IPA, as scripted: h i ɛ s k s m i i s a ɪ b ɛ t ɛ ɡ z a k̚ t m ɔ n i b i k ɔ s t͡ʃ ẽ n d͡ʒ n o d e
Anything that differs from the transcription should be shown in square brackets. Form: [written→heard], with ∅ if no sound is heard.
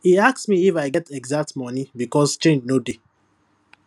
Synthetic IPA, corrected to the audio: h i [ɛ→a] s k s m i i [s→f] a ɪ [b→ɡ] ɛ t ɛ ɡ z a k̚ t m ɔ n i b i k ɔ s t͡ʃ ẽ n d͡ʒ n o d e